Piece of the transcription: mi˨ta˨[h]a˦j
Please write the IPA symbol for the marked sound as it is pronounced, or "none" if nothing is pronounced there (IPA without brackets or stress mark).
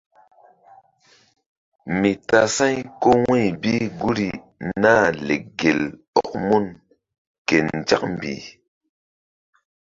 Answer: s